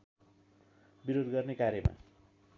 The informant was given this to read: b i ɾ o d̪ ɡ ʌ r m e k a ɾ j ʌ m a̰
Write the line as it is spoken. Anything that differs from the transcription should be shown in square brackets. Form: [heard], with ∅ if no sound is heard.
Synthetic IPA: b i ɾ o d̪ ɡ ʌ r [n] e k a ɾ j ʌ m a̰